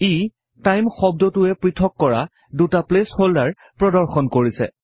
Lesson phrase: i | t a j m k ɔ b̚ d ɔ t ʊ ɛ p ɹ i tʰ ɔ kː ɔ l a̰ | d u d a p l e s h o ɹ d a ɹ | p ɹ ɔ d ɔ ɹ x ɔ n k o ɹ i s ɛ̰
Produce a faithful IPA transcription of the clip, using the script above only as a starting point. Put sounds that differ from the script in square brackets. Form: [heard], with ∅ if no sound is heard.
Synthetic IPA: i | t a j m [x] ɔ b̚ d ɔ t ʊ ɛ p ɹ i tʰ ɔ kː ɔ [ɹ] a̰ | d u [t] a p l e s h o [l] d a ɹ | p ɹ ɔ d ɔ ɹ x ɔ n k o ɹ i s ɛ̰